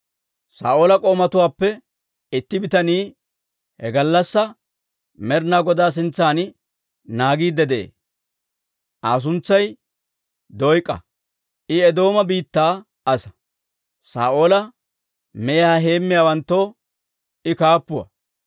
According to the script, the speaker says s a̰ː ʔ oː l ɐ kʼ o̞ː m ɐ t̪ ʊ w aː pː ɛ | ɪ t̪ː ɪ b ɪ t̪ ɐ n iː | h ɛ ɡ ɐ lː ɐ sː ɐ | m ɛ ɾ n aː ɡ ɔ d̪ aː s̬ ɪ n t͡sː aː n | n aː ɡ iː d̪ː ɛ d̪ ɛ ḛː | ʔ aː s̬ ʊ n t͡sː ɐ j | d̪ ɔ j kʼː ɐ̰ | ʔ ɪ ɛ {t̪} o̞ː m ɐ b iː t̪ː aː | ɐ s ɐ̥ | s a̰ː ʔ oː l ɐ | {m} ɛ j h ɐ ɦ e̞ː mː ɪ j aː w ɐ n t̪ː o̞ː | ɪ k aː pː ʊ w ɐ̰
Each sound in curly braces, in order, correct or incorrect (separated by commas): incorrect, correct